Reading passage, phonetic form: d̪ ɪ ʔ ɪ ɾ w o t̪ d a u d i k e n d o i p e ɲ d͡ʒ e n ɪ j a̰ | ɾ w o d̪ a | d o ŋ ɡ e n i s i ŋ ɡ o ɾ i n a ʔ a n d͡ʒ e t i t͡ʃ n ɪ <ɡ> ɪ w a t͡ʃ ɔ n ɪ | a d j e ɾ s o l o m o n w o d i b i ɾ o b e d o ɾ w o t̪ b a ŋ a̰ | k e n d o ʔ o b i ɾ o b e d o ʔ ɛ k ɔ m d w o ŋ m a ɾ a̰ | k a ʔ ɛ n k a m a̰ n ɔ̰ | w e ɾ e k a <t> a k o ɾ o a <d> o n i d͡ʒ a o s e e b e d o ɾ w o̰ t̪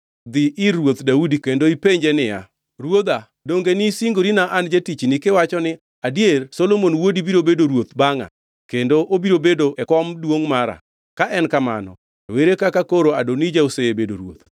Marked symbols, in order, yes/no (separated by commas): no, no, yes